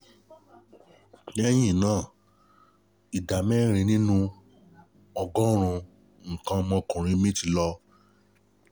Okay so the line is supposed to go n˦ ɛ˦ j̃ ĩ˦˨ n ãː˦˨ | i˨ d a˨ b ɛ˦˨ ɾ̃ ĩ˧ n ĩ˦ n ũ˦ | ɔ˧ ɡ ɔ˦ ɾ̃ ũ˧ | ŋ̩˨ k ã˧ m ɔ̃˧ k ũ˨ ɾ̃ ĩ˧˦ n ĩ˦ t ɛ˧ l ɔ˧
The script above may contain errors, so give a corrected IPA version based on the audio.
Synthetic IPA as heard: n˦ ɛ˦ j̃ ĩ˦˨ n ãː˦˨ | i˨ d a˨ m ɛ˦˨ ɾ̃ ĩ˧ n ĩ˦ n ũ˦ | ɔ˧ ɡ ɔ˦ ɾ̃ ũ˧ | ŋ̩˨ k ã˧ m ɔ̃˧ k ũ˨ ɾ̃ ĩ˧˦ m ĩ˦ t i˧ l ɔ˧